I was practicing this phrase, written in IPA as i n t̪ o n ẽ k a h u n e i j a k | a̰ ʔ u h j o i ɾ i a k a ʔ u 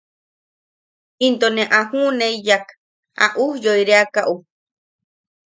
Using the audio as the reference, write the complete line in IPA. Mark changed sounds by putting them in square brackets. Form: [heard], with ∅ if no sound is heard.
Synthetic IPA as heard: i n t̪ o n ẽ [ʔ] a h u n e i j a k | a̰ ʔ u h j o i ɾ [e] a k a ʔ u